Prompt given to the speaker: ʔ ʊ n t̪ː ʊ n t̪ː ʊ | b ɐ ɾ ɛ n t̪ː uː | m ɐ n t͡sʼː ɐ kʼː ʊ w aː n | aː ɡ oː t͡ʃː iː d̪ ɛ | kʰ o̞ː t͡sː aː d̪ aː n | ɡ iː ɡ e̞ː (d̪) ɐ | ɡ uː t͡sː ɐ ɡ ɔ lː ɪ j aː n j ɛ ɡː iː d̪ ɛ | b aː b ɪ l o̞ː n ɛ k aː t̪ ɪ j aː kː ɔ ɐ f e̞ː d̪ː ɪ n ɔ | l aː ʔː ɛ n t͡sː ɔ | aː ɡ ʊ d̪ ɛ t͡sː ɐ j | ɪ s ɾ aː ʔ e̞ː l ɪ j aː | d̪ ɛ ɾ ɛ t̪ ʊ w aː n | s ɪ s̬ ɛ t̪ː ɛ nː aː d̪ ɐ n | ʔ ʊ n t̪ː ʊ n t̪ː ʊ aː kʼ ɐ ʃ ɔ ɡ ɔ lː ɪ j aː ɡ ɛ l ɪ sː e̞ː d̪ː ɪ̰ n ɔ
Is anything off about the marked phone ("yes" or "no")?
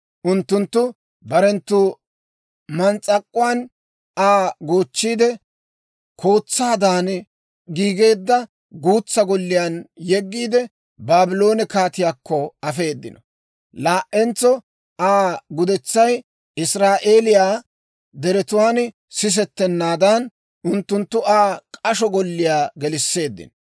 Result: yes